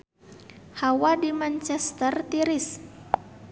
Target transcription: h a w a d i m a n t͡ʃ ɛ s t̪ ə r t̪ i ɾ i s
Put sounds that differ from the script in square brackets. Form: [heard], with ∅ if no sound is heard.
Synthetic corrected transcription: h a w a d i m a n t͡ʃ ɛ s t̪ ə r t̪ i ɾ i s